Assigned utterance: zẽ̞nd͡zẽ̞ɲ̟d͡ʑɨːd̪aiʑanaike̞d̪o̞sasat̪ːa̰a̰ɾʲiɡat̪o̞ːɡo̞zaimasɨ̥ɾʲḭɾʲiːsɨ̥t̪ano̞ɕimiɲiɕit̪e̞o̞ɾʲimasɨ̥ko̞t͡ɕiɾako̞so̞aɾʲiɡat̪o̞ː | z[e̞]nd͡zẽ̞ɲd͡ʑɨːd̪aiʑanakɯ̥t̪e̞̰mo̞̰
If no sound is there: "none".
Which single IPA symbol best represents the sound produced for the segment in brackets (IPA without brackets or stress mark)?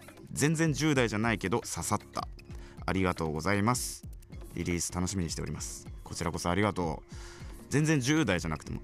ẽ̞